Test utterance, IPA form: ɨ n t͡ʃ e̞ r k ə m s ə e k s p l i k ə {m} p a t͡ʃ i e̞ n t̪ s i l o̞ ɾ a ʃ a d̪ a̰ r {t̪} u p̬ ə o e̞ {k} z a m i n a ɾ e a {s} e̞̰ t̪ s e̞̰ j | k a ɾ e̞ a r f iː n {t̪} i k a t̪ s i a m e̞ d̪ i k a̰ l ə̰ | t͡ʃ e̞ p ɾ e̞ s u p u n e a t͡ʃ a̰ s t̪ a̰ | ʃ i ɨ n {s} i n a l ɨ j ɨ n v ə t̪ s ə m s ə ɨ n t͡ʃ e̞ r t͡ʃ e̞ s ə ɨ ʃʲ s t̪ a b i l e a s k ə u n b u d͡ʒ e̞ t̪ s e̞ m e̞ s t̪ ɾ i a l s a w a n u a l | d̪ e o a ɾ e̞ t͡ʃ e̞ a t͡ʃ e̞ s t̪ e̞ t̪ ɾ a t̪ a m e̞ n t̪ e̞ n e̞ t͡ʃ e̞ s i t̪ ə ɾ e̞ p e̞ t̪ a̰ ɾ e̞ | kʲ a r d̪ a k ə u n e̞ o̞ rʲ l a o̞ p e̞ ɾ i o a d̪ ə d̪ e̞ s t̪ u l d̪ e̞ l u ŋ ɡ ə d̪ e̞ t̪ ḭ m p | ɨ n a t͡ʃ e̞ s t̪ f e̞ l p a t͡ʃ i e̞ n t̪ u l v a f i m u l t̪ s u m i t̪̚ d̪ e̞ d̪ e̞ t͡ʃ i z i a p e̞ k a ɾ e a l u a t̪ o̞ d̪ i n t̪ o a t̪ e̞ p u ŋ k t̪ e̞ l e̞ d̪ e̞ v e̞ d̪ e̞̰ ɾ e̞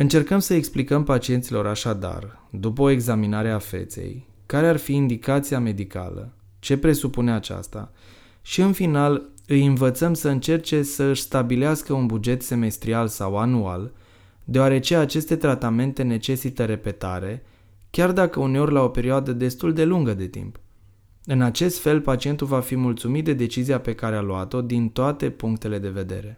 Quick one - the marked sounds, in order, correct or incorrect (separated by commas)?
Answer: correct, incorrect, incorrect, incorrect, incorrect, incorrect